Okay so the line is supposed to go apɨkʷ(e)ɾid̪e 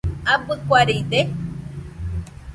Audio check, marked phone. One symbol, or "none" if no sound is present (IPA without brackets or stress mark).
a